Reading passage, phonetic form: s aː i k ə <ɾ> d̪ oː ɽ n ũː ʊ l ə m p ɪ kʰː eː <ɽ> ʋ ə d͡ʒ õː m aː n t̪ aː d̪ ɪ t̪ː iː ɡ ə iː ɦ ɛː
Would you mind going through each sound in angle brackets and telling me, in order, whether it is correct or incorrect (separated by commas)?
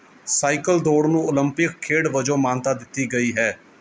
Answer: incorrect, correct